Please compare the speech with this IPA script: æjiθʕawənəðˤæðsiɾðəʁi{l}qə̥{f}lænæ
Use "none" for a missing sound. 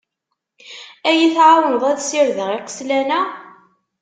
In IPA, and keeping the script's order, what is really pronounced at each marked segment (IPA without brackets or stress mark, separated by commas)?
none, s